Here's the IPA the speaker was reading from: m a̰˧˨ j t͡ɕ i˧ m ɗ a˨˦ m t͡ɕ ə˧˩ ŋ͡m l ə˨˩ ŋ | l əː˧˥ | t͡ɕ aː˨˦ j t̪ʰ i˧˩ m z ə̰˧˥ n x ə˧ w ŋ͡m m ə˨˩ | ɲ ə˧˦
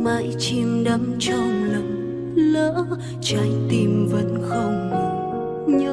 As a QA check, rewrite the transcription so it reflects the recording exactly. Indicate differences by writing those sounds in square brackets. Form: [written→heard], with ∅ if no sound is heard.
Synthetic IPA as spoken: m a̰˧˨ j t͡ɕ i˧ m ɗ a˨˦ m t͡ɕ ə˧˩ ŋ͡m l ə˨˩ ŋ | l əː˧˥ | t͡ɕ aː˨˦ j [t̪ʰ→t̪] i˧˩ m [z→v] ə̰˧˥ n x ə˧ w ŋ͡m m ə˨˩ | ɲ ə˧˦

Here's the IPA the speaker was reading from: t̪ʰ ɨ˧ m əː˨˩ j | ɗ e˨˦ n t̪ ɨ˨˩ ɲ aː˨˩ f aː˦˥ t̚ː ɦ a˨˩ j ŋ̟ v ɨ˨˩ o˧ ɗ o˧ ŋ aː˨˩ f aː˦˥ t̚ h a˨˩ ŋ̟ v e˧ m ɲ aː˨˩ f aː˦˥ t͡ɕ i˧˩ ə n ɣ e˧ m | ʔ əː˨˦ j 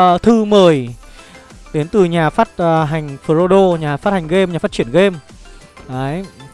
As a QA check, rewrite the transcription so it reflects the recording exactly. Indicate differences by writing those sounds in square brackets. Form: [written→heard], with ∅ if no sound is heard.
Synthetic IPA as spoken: t̪ʰ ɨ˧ m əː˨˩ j | ɗ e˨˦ n t̪ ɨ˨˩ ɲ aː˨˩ f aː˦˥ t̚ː ɦ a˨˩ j ŋ̟ [v→f] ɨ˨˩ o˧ ɗ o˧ [ŋ→ɲ] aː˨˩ f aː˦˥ t̚ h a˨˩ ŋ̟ [v→ɣ] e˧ m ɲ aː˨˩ f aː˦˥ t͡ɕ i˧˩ ə n ɣ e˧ m | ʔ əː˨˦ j

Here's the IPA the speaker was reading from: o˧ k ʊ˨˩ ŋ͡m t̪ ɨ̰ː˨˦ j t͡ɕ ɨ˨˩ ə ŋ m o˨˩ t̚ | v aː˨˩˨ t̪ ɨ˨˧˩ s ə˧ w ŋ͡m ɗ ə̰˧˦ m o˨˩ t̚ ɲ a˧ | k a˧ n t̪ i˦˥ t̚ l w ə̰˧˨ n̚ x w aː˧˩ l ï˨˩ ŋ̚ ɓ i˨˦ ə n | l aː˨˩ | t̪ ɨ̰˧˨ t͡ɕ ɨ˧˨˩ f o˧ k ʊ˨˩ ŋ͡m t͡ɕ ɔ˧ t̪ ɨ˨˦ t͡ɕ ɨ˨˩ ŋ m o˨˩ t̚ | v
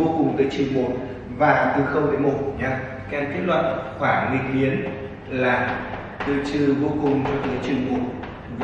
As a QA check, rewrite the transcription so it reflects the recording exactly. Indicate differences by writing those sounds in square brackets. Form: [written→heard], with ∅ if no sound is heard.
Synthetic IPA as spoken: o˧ k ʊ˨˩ ŋ͡m t̪ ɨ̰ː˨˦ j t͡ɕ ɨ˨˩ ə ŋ m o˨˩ t̚ | v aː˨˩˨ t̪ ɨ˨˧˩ [s→x] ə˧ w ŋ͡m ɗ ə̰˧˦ m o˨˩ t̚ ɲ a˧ | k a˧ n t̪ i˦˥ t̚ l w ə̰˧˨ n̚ x w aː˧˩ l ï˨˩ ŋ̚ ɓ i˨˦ ə n | l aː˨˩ | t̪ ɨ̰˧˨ t͡ɕ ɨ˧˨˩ [f→v] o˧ k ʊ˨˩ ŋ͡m t͡ɕ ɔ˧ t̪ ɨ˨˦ t͡ɕ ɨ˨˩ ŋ m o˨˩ t̚ | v

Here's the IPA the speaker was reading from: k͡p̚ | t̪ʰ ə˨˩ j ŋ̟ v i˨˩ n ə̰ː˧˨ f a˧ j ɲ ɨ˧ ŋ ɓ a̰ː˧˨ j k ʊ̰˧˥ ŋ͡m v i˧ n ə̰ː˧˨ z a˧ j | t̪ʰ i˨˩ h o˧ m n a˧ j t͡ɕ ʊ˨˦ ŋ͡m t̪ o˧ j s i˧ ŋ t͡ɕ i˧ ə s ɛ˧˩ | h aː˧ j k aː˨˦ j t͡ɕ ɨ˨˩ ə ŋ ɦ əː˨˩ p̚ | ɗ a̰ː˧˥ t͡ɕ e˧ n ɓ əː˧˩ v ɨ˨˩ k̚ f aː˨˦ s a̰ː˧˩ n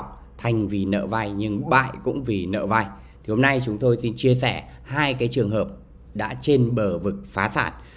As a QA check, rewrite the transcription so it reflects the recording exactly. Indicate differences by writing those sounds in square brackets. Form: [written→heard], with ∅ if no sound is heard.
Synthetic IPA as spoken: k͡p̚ | t̪ʰ [ə˨˩→a˨˩] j ŋ̟ v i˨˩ n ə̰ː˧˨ [f→v] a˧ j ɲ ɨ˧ ŋ ɓ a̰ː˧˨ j k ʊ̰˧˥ ŋ͡m v [i˧→i˨˩] n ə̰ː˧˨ [z→v] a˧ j | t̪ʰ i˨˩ h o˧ m n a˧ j t͡ɕ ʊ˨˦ ŋ͡m t̪ o˧ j s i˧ [ŋ→n] t͡ɕ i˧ ə s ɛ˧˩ | h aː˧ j k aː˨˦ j t͡ɕ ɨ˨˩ ə ŋ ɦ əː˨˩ p̚ | ɗ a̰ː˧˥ t͡ɕ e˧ n ɓ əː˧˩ v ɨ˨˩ k̚ f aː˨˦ s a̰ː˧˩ n

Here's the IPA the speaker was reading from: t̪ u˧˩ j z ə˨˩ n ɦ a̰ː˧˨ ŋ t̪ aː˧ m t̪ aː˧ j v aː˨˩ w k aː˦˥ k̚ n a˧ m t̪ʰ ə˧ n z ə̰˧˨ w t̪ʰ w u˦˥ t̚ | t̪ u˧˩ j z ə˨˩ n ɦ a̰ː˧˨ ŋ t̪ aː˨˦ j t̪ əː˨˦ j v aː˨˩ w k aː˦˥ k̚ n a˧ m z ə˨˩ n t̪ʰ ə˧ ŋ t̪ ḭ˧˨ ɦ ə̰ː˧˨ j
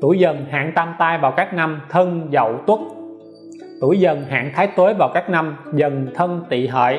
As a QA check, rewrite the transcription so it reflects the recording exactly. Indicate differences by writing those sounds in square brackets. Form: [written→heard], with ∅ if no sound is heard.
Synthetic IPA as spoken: t̪ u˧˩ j z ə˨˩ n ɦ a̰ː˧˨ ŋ t̪ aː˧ m t̪ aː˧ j v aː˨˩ w k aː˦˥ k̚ n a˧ m t̪ʰ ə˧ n z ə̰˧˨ w [t̪ʰ→t̪] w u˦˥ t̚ | t̪ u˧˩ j z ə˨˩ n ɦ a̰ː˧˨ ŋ [t̪→t̪ʰ] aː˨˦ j t̪ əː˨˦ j v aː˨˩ w k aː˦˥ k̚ n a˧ m z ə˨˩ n t̪ʰ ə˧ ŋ t̪ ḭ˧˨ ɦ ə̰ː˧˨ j

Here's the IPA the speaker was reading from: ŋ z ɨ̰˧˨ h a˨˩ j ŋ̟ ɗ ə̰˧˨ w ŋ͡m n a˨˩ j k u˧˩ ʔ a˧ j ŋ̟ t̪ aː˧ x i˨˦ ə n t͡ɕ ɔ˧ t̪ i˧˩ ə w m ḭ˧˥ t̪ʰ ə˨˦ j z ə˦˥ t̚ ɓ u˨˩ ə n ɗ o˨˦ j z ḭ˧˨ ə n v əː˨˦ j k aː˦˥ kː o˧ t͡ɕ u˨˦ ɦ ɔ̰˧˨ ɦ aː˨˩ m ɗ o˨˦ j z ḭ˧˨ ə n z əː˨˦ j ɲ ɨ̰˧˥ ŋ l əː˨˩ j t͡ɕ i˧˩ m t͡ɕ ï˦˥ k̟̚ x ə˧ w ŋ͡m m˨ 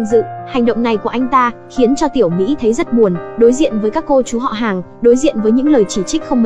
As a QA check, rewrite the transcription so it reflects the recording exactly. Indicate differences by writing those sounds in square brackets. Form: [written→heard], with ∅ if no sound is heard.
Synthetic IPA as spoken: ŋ z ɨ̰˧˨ h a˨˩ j ŋ̟ ɗ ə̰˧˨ w ŋ͡m n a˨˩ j k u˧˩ ʔ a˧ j ŋ̟ t̪ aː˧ x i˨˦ ə n t͡ɕ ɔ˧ t̪ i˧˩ ə w m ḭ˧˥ t̪ʰ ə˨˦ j z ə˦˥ t̚ ɓ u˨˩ ə n ɗ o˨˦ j z ḭ˧˨ ə n v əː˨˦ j k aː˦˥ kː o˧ t͡ɕ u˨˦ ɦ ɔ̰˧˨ ɦ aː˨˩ [m→ŋ] ɗ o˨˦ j z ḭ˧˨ ə n [z→v] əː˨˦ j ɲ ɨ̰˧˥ ŋ l əː˨˩ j t͡ɕ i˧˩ [m→∅] t͡ɕ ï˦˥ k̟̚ x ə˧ w ŋ͡m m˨

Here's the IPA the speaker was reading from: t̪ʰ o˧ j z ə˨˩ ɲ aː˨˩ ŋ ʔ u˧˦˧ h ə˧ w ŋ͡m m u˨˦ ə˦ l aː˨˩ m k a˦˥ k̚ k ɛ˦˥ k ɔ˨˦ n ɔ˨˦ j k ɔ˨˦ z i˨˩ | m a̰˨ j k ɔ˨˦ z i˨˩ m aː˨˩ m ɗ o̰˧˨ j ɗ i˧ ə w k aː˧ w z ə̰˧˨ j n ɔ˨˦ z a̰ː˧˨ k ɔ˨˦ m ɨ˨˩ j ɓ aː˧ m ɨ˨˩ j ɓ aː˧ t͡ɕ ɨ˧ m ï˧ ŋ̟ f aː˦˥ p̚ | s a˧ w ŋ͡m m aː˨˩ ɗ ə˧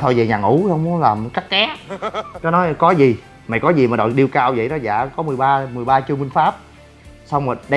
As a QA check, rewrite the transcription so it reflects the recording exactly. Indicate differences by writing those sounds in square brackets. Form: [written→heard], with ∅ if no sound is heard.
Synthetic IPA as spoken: t̪ʰ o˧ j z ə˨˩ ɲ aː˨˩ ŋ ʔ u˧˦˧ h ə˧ w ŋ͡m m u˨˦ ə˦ l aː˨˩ m k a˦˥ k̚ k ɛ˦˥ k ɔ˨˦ n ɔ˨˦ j k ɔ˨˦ z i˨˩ | m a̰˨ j k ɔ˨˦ z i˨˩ m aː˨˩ [m→∅] ɗ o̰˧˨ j ɗ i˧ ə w k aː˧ w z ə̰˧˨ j n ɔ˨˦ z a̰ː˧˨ k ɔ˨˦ m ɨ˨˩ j ɓ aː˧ m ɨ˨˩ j ɓ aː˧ t͡ɕ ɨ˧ m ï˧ ŋ̟ f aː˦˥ p̚ | s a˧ w ŋ͡m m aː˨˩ ɗ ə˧

